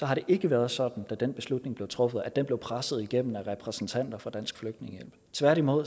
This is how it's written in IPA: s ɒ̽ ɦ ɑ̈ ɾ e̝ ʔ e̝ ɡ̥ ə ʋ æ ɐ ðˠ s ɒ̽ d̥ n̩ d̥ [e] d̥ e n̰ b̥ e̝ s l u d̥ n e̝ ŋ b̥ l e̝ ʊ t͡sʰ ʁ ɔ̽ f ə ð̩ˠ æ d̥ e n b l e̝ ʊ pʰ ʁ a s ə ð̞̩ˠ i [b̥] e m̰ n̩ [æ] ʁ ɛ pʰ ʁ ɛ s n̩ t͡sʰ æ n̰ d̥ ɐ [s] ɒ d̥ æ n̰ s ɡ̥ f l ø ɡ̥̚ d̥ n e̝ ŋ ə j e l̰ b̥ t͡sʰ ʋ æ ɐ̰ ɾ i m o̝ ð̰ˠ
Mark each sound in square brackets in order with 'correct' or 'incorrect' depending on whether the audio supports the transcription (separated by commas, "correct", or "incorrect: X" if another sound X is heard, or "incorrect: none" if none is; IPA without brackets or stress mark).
incorrect: æ, incorrect: ɡ̥, correct, incorrect: f